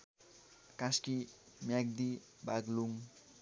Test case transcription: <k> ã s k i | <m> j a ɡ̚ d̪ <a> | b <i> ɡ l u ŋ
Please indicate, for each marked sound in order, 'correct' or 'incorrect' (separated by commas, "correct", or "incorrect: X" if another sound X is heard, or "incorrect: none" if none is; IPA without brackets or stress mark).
correct, correct, incorrect: i, incorrect: a